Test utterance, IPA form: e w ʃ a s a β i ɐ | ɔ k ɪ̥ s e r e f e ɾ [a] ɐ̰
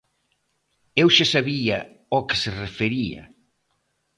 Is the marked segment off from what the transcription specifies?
yes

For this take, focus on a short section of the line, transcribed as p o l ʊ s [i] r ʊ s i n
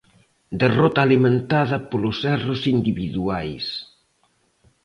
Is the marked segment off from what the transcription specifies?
yes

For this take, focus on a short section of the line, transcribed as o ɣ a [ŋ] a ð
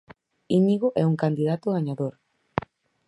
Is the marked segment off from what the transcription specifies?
yes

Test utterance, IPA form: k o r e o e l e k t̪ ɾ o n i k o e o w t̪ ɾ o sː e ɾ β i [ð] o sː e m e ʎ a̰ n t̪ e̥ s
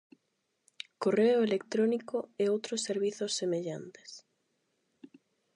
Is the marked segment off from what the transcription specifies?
yes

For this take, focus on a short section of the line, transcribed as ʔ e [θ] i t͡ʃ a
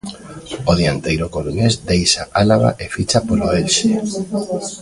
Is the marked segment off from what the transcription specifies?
yes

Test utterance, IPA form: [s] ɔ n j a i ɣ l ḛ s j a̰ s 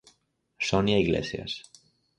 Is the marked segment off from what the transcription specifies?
no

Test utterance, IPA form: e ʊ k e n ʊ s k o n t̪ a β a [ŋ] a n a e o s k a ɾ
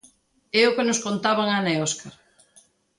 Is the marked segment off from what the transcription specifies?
no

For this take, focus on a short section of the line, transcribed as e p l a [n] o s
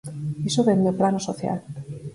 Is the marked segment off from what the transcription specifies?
no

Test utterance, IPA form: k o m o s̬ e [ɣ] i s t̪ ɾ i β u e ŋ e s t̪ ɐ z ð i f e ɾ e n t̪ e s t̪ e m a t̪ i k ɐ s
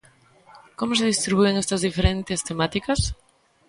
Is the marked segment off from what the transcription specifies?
yes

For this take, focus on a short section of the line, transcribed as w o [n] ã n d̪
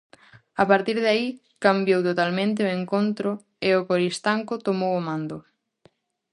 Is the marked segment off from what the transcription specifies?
yes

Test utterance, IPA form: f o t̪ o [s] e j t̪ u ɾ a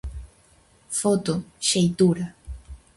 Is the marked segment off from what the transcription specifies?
yes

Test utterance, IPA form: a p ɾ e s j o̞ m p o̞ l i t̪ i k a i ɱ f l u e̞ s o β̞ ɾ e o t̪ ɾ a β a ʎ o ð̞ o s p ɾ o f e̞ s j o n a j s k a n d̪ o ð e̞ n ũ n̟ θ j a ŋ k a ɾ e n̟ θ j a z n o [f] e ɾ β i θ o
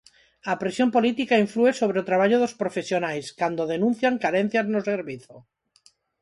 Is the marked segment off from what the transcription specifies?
yes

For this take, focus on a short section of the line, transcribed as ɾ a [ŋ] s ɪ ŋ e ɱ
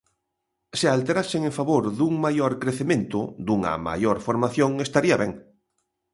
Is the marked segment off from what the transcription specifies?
yes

